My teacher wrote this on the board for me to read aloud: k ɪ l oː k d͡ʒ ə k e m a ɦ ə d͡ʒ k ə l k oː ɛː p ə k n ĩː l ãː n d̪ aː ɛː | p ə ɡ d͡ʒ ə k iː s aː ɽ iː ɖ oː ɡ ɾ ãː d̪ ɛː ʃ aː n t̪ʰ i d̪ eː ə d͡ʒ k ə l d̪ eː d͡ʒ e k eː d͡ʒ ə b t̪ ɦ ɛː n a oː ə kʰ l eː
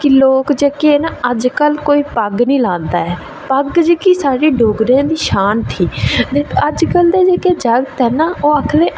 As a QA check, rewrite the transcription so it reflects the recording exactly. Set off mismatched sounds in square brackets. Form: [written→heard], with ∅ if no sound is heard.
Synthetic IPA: k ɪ l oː k d͡ʒ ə k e [m→n] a [ɦ→∅] ə d͡ʒ k ə l k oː [ɛː→iː] p ə [k→ɡ] n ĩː l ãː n d̪ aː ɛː | p ə ɡ d͡ʒ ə k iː s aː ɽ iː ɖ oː ɡ ɾ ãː d̪ [ɛː→iː] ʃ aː n t̪ʰ [i→iː] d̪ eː ə d͡ʒ k ə l d̪ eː d͡ʒ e k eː d͡ʒ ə [b→ɡ] t̪ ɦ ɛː n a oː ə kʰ l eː